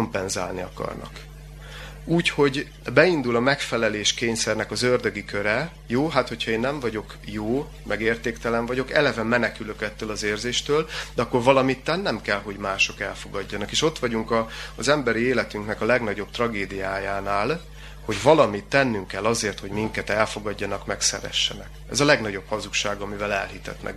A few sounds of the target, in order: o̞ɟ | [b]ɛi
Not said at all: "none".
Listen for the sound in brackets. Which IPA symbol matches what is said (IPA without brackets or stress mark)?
b